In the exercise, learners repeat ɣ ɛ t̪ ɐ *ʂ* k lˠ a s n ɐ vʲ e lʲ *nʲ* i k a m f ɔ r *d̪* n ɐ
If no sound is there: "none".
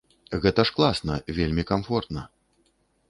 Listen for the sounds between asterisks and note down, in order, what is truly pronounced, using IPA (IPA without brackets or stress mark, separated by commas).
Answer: ʂ, mʲ, t̪